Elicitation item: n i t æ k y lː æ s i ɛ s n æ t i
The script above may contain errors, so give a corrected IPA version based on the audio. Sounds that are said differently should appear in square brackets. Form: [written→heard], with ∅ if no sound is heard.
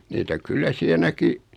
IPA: n [i→iː] t æ k y lː æ s i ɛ [s→∅] n æ [t→k] i